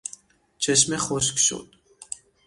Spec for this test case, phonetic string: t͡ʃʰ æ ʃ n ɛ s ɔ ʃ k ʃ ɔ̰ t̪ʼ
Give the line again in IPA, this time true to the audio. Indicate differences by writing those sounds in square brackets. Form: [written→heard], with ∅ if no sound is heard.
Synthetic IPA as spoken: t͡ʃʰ [æ→ɛ] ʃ [n→m] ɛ [s→χ] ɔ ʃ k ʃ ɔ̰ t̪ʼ